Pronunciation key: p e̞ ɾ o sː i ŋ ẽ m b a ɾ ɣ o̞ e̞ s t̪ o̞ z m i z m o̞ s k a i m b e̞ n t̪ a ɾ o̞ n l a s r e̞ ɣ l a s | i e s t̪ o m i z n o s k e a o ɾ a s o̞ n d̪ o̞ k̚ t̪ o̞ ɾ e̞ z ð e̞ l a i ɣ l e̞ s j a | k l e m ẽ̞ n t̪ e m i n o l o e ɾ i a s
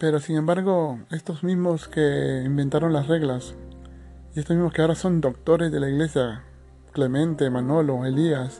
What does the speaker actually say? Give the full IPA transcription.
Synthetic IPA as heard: p e̞ ɾ o s i ŋ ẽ m b a ɾ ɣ o̞ e̞ s t̪ o̞ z m i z m o̞ s k e i m b e̞ n t̪ a ɾ o̞ n l a s r e̞ ɣ l a s | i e s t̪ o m i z m o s k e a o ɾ a s o̞ n d̪ o̞ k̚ t̪ o̞ ɾ e̞ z ð e̞ l a i ɣ l e̞ s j a | k l e m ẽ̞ n t̪ e m a n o l o e l i a s